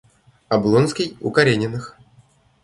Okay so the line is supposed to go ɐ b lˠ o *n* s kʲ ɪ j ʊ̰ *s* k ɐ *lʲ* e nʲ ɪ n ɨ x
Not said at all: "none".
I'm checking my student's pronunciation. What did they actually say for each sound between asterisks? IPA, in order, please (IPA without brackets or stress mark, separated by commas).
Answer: n, none, ɾʲ